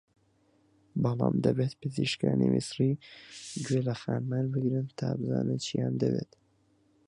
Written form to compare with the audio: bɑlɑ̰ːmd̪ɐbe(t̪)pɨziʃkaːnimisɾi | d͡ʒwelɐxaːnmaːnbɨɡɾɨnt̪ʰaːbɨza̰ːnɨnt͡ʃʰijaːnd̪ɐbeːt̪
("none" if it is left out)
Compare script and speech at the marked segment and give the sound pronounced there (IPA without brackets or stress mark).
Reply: t̪